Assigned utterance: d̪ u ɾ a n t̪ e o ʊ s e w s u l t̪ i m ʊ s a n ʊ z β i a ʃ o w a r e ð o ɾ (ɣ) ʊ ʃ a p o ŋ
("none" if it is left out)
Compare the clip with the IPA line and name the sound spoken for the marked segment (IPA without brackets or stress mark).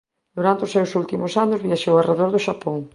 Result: ð